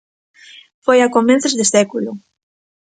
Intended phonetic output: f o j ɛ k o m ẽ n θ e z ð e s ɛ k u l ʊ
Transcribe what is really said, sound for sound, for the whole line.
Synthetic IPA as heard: f o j a k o m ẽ n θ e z ð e s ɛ k u l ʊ